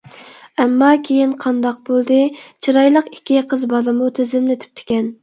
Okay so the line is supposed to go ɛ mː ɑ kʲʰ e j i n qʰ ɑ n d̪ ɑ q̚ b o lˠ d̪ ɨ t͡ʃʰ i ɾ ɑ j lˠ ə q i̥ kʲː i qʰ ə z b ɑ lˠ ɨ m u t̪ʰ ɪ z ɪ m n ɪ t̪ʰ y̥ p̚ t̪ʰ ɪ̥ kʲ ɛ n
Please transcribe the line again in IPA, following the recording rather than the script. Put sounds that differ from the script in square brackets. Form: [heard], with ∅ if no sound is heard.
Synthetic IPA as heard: ɛ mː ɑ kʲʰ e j i n qʰ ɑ n d̪ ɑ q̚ b o lˠ d̪ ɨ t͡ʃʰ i ɾ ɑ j lˠ ə q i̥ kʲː i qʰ ə z b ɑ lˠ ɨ m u t̪ʰ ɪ z ɪ m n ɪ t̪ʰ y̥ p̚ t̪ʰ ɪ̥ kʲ ɛ n